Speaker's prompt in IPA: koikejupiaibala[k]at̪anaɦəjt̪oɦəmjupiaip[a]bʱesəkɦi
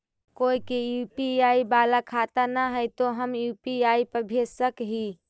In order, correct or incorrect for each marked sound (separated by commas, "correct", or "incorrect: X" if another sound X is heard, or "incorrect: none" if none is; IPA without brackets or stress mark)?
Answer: incorrect: kʰ, incorrect: ə